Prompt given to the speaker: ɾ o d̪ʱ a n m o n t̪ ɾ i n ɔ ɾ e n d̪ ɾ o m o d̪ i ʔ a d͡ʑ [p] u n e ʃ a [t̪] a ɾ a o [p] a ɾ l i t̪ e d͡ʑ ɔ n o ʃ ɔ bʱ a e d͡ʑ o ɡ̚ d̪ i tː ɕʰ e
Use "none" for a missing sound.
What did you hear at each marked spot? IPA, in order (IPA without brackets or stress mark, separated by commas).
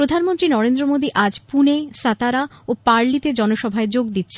p, t̪, p